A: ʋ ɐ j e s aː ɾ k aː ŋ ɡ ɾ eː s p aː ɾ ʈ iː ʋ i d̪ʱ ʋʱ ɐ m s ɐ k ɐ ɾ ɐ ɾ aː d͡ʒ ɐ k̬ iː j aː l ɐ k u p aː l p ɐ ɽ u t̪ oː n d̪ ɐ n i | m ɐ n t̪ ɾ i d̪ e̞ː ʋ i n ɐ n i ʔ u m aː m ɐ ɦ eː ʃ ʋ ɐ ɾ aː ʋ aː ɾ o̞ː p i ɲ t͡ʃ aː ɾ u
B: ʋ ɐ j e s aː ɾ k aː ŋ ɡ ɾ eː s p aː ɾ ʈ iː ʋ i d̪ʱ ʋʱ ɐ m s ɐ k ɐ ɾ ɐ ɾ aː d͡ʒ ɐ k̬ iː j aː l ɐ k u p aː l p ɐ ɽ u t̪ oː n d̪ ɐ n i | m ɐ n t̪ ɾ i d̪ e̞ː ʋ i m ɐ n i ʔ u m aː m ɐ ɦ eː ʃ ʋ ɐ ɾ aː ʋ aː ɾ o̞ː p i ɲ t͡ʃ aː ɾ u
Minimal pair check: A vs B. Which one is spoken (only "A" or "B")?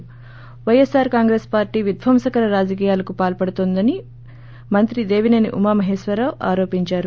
A